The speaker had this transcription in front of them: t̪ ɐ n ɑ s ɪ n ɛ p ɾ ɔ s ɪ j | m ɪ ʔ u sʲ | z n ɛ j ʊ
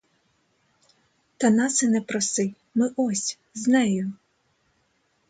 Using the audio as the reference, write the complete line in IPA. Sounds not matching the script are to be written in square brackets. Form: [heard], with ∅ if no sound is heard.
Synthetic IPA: t̪ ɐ n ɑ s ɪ n ɛ p ɾ ɔ s ɪ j | m ɪ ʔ [ɔ] sʲ | z n ɛ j ʊ